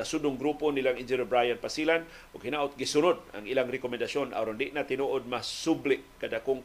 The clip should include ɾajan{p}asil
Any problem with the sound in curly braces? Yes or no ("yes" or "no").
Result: no